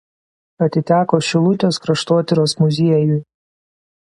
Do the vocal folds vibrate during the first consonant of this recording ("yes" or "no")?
no